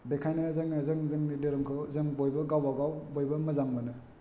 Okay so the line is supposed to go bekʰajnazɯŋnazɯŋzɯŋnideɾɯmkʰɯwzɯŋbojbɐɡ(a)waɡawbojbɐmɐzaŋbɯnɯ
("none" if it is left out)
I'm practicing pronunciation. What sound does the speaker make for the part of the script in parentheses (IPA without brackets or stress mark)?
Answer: a